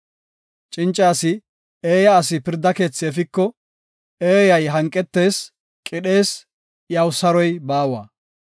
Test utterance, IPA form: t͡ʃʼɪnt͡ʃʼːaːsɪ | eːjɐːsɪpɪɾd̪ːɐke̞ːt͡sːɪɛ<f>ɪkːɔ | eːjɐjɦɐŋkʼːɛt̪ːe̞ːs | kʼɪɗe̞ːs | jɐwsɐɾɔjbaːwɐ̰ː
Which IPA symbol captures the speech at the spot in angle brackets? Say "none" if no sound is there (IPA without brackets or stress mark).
f